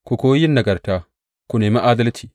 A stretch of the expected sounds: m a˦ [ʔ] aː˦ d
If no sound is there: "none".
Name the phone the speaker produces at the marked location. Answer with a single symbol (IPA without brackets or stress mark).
ʔ